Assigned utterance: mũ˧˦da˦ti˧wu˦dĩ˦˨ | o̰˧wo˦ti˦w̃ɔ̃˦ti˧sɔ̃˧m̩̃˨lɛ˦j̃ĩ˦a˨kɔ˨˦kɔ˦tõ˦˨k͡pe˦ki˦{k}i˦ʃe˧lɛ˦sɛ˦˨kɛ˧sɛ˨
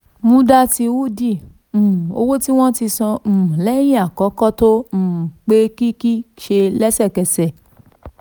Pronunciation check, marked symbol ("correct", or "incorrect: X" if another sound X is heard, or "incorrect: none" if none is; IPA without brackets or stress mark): correct